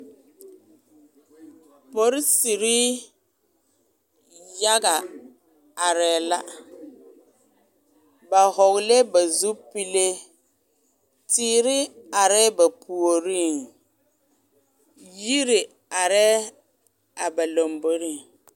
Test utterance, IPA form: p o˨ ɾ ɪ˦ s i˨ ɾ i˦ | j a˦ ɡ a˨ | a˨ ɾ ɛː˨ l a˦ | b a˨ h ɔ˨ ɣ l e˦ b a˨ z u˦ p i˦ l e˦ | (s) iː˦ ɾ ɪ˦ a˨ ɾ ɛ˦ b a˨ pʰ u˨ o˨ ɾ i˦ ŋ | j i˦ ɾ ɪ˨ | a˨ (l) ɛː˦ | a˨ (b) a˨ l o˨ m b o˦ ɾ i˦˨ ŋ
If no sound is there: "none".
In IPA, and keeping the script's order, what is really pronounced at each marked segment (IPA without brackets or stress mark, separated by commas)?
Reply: t, ɾ, b